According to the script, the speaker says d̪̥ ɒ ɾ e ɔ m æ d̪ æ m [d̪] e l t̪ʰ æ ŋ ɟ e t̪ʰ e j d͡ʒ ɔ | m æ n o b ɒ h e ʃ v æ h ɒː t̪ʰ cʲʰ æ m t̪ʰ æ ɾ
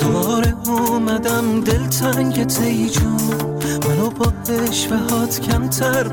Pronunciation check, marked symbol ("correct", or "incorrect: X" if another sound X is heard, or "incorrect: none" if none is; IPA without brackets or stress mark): correct